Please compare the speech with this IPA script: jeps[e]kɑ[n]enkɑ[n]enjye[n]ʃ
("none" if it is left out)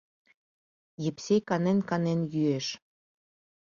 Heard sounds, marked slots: e, n, n, none

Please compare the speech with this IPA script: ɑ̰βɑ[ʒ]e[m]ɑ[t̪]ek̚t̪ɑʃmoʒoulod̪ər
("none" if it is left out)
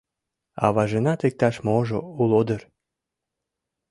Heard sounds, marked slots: ʒ, n, t̪

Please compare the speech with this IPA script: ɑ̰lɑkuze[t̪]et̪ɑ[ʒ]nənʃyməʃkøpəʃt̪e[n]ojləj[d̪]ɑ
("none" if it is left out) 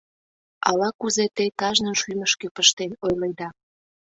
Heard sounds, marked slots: t̪, ʒ, n, d̪

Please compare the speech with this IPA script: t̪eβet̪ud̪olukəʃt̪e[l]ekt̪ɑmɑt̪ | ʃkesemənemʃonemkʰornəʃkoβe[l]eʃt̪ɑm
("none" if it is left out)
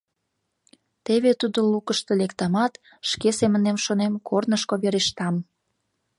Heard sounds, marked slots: l, ɾ

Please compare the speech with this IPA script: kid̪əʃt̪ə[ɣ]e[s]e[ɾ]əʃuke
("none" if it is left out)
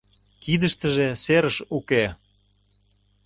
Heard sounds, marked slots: ʒ, s, ɾ

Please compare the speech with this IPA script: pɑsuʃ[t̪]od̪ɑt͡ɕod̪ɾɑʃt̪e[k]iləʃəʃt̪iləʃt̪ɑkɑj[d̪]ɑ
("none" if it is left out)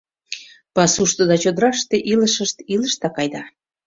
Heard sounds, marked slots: t̪, ʔ, d̪

